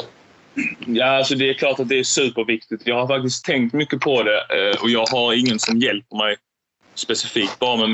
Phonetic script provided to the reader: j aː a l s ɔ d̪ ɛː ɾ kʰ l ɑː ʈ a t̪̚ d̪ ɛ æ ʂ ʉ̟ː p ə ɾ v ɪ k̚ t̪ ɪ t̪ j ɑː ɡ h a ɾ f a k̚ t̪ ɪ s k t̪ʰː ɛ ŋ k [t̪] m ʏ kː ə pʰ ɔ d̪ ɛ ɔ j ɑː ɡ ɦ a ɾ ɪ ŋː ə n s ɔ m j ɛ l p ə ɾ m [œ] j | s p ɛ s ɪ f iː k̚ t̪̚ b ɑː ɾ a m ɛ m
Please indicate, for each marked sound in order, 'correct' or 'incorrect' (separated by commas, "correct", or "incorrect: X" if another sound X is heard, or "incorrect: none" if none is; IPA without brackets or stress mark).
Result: correct, incorrect: ɛ